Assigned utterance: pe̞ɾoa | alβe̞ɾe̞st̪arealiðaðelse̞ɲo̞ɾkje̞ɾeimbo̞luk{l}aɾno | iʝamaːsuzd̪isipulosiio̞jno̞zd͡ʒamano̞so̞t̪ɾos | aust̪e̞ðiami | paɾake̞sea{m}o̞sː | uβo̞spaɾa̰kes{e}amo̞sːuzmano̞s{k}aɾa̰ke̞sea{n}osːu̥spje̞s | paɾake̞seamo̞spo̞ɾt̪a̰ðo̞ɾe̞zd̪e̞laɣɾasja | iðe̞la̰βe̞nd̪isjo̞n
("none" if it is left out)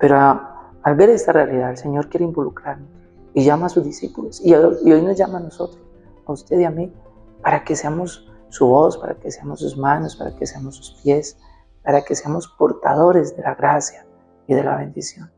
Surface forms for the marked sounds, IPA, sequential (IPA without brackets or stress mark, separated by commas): ɾ, m, e, p, m